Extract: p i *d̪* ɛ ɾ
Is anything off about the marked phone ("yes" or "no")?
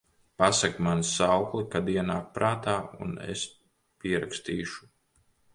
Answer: yes